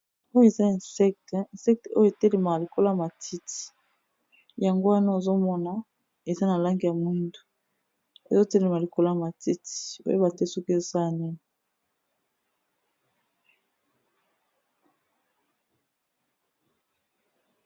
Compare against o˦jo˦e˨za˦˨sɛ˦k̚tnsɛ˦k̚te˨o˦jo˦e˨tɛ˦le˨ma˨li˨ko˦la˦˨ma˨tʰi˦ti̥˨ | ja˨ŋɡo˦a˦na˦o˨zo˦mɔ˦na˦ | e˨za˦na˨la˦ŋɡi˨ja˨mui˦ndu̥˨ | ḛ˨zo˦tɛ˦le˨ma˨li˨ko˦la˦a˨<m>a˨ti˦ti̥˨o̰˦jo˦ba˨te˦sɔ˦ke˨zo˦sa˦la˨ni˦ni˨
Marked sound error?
no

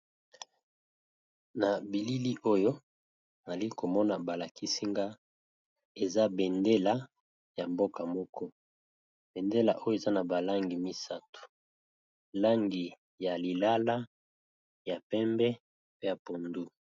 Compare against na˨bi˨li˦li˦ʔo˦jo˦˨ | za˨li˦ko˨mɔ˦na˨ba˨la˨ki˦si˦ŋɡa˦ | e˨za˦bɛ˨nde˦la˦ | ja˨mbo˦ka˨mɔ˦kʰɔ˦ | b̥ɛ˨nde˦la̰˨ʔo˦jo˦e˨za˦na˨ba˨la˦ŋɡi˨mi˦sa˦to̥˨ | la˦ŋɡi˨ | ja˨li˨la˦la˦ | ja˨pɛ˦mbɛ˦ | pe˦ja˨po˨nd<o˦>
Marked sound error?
yes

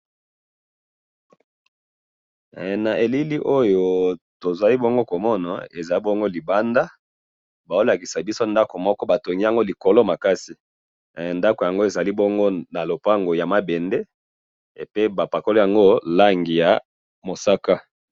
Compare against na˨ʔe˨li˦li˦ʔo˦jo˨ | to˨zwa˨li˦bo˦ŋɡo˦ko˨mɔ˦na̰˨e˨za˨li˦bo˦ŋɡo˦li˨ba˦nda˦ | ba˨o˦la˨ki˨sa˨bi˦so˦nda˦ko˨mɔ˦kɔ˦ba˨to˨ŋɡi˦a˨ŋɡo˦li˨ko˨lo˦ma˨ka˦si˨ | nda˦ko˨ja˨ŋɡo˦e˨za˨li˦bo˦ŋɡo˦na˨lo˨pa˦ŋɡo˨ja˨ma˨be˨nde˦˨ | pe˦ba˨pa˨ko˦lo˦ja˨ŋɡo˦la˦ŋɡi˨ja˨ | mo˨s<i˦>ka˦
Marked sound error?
yes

